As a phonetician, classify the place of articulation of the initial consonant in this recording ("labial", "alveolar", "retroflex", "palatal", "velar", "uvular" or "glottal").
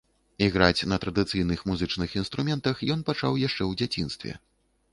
velar